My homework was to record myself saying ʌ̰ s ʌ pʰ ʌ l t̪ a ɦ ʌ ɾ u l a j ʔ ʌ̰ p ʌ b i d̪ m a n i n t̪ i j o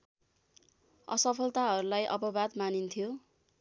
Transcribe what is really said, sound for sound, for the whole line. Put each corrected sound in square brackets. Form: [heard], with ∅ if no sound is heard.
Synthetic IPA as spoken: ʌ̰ s ʌ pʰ ʌ l t̪ a ɦ ʌ ɾ u l a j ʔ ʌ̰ p ʌ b [a] d̪ m a n i n [t̪ʰ] i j o